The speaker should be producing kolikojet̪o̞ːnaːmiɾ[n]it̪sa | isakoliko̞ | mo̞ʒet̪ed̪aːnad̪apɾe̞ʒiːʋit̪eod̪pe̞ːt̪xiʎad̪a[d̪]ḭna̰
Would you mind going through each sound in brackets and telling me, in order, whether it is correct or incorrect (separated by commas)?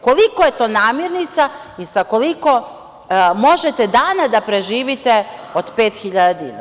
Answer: correct, correct